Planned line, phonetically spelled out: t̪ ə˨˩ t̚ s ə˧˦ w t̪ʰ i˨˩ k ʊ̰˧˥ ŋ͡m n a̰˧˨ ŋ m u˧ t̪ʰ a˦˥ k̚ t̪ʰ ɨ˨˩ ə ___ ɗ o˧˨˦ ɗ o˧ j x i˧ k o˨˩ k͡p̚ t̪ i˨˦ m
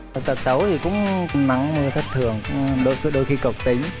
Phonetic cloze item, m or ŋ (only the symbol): ŋ